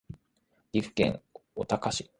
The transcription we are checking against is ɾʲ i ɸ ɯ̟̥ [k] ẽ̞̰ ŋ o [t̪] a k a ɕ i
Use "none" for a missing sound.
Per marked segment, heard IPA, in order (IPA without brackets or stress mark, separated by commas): k, t̪